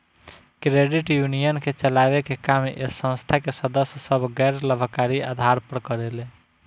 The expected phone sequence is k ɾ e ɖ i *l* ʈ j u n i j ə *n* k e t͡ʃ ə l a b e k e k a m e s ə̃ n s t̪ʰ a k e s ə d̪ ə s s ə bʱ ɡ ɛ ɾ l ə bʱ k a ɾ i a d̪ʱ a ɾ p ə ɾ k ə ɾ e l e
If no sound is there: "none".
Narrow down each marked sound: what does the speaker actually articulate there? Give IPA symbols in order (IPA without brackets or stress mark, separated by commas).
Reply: none, n